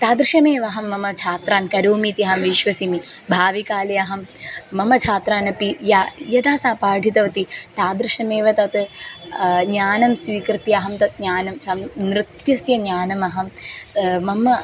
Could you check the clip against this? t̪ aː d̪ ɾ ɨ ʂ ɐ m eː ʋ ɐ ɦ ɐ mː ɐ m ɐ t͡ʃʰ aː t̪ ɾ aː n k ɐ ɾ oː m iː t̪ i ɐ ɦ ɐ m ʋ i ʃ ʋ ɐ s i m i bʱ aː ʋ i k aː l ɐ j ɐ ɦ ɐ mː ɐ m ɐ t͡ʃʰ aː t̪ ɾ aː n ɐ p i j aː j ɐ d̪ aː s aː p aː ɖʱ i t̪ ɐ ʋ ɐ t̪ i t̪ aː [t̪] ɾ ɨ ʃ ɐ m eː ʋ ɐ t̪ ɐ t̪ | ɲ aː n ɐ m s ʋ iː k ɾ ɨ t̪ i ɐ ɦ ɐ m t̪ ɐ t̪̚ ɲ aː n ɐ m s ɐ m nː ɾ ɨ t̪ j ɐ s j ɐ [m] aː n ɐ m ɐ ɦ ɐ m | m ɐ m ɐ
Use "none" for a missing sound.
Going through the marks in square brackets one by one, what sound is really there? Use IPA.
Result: d̪, ɲ

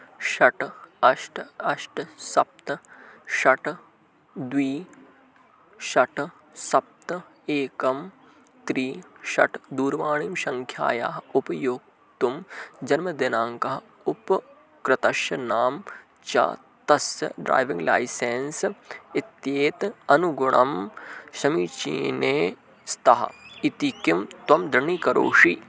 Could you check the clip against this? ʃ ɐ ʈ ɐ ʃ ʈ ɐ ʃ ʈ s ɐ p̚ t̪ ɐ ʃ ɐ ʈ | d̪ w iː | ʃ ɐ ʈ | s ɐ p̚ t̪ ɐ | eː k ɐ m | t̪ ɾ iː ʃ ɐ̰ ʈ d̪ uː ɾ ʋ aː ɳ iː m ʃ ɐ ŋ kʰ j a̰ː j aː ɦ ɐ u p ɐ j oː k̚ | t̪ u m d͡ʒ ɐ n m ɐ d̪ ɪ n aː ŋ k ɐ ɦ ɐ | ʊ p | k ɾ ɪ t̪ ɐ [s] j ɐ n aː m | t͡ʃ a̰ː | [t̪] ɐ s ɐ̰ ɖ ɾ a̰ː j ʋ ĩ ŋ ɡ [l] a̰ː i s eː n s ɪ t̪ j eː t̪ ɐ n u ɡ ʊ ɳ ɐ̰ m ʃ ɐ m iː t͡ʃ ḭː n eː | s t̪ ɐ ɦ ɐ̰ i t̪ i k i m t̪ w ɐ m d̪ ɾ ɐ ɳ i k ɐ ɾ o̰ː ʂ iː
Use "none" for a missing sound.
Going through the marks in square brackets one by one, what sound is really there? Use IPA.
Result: ʃ, t̪, l

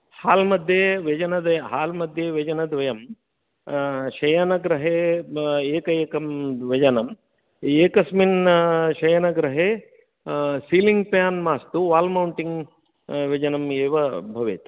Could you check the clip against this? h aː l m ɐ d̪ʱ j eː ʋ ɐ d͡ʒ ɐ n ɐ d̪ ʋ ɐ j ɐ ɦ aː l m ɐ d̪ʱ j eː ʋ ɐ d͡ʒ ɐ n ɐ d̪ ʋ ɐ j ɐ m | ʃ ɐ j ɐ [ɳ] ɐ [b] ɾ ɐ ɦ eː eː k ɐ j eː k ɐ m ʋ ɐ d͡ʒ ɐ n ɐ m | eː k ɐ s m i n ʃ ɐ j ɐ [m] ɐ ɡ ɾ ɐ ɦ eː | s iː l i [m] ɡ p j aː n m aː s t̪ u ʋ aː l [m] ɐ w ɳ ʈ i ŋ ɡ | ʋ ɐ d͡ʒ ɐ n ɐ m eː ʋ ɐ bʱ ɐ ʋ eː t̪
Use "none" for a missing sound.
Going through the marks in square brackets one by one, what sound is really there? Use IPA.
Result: n, ɡ, n, ŋ, m

